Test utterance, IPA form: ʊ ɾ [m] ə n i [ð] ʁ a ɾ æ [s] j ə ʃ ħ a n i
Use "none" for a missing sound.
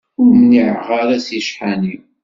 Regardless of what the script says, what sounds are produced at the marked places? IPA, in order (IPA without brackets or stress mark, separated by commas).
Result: m, ʕ, s